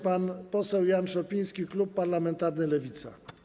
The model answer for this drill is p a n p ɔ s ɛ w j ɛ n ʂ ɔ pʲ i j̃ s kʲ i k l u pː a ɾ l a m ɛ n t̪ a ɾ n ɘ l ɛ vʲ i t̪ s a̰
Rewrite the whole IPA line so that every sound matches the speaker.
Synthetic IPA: p a n p ɔ s ɛ w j a n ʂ ɔ pʲ i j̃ s kʲ i k l u pː a ɾ l a m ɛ n t̪ a ɾ n ɘ l ɛ vʲ i t̪ s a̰

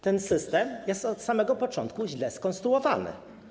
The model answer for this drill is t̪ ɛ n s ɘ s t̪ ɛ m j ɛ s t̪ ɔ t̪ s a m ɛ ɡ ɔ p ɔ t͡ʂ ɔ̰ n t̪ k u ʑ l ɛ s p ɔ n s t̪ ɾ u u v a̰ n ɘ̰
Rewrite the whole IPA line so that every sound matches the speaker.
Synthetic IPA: t̪ ɛ n s ɘ s t̪ ɛ m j ɛ s t̪ ɔ t̪ s a m ɛ ɡ ɔ p ɔ t͡ʂ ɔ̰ n t̪ k u ʑ l ɛ s k ɔ n s t̪ ɾ u ɔ v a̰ n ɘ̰

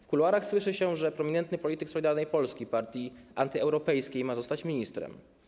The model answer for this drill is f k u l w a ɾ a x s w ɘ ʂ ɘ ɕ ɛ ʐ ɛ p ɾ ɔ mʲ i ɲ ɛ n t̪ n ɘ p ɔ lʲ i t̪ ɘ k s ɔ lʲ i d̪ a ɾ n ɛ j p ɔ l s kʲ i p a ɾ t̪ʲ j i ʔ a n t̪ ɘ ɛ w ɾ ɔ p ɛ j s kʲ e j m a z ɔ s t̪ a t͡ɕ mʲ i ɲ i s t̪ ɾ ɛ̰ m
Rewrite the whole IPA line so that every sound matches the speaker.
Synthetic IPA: f k u l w a ɾ a x s w ɘ ʂ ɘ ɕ ɛ ʐ ɛ p ɾ ɔ mʲ i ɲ ɛ n t̪ n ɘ p ɔ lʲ i t̪ ɘ k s ɔ lʲ i d̪ a ɾ n ɛ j p ɔ l s kʲ i p a ɾ t̪ʲ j i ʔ a n t̪ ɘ ɛ w ɾ ɔ p ɛ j s kʲ e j m a z ɔ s t̪ a t͡ɕ mʲ i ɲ i s t̪ ɾ ɛ̰ m

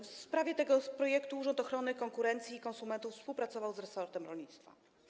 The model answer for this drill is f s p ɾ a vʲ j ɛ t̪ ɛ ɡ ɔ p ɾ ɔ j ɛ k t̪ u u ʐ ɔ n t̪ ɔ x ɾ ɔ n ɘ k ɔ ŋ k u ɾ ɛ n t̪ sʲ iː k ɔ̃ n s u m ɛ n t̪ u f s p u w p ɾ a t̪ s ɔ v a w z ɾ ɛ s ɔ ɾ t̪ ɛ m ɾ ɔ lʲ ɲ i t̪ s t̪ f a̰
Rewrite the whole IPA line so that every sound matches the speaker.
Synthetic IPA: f s p ɾ a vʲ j ɛ t̪ ɛ ɡ ɔ p ɾ ɔ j ɛ k t̪ u u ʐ ɔ n t̪ ɔ x ɾ ɔ n ɘ k ɔ ŋ k u ɾ ɛ n t̪ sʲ iː k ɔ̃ n s u m ɛ n t̪ u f s p u w p ɾ a t̪ s ɔ v a w z ɾ ɛ s ɔ ɾ t̪ ɛ m ɾ ɔ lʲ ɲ i t̪ s t̪ f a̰

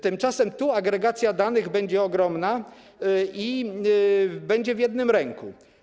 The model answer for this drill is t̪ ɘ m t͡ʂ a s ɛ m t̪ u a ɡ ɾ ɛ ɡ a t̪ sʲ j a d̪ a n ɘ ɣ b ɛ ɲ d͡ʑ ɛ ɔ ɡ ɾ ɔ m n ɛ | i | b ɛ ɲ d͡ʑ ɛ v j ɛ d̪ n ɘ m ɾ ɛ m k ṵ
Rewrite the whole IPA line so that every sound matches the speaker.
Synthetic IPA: t̪ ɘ m t͡ʂ a s ɛ m t̪ u a ɡ ɾ ɛ ɡ a t̪ sʲ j a d̪ a n ɘ ɣ b ɛ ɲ d͡ʑ ɛ ɔ ɡ ɾ ɔ m n a | i | b ɛ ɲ d͡ʑ ɛ v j ɛ d̪ n ɘ m ɾ ɛ ŋ k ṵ

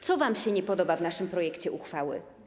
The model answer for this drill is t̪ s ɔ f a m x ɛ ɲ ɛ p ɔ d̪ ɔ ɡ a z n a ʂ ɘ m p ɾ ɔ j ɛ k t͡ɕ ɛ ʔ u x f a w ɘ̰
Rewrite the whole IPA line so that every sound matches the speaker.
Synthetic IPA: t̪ s ɔ v a m ɕ ɛ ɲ ɛ p ɔ d̪ ɔ b a v n a ʂ ɘ m p ɾ ɔ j ɛ k t͡ɕ ɛ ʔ u x f a w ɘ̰

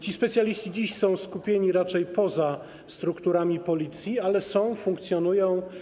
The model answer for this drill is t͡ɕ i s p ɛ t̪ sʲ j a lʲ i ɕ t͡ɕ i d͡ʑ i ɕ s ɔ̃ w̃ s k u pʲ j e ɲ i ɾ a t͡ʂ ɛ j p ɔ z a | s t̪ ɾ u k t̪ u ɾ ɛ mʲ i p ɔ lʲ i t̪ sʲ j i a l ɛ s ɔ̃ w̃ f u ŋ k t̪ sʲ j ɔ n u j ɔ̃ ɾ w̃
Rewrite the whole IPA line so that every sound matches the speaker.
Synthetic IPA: t͡ɕ i s p ɛ t̪ sʲ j a lʲ i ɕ t͡ɕ i d͡ʑ i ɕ s ɔ̃ w̃ s k u pʲ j e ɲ i ɾ a t͡ʂ ɛ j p ɔ z a | s t̪ ɾ u k t̪ u ɾ a mʲ i p ɔ lʲ i t̪ sʲ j i a l ɛ s ɔ̃ w̃ f u ŋ k t̪ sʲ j ɔ n u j ɔ̃ w̃

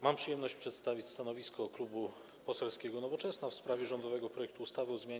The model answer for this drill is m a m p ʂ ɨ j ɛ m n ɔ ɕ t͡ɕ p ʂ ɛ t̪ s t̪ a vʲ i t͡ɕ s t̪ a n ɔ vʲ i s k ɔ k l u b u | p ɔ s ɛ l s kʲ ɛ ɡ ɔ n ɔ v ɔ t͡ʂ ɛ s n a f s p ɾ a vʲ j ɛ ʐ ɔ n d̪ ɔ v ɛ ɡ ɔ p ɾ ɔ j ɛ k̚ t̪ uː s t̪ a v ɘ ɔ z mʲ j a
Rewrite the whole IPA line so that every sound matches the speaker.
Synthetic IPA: m a m p ʂ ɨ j ɛ m n ɔ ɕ t͡ɕ p ʂ ɛ t̪ s t̪ a vʲ i t͡ɕ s t̪ a n ɔ vʲ i s k ɔ k l u b u | p ɔ s ɛ l s kʲ ɛ ɡ ɔ n ɔ v ɔ t͡ʂ ɛ s n a f s p ɾ a vʲ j ɛ ʐ ɔ n d̪ ɔ v ɛ ɡ ɔ p ɾ ɔ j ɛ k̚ t̪ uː s t̪ a v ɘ ɔ z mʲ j a

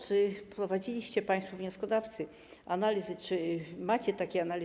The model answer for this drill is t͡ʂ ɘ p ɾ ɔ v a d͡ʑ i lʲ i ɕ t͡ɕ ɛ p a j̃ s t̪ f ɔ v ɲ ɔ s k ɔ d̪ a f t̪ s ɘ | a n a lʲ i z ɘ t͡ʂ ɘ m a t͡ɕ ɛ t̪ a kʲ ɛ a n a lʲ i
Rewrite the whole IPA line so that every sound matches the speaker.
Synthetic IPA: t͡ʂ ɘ p ɾ ɔ v a d͡ʑ i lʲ i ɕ t͡ɕ ɛ p a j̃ s t̪ f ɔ v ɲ ɔ s k ɔ d̪ a f t̪ s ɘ | a n a lʲ i z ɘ t͡ʂ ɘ m a t͡ɕ ɛ t̪ a kʲ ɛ a n a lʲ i

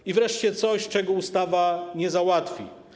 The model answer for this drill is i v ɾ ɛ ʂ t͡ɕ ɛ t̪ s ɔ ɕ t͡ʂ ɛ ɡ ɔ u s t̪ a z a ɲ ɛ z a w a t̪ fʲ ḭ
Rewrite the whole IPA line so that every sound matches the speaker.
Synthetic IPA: i v ɾ ɛ ʂ t͡ɕ ɛ t̪ s ɔ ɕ t͡ʂ ɛ ɡ ɔ u s t̪ a v a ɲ ɛ z a w a t̪ fʲ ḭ

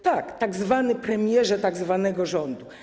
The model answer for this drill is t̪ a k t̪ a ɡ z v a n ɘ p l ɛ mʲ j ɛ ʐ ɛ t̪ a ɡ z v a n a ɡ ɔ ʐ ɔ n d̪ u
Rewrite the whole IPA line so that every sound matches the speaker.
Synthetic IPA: t̪ a k t̪ a ɡ z v a n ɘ p ɾ ɛ mʲ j ɛ ʐ ɛ t̪ a ɡ z v a n ɛ ɡ ɔ ʐ ɔ n d̪ u

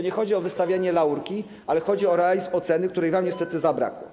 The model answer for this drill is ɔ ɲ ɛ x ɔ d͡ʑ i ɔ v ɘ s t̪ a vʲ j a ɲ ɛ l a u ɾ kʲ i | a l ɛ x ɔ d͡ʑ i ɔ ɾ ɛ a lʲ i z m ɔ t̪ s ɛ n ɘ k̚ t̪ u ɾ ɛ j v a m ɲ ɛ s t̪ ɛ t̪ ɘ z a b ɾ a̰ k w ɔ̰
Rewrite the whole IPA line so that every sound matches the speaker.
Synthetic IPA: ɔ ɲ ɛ x ɔ d͡ʑ i ɔ v ɘ s t̪ a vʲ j a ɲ ɛ l a u ɾ kʲ i | a l ɛ x ɔ d͡ʑ i ɔ ɾ ɛ a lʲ i z m ɔ t̪ s ɛ n ɘ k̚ t̪ u ɾ ɛ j v a m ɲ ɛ s t̪ ɛ t̪ ɘ z a b ɾ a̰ k w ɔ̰

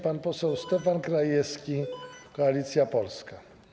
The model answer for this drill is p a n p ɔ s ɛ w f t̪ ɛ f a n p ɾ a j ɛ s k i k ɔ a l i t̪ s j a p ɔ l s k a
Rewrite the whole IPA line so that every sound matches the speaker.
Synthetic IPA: p a n p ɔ s ɛ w s t̪ ɛ f a n k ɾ a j ɛ s k i k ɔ a l i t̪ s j a p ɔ l s k a

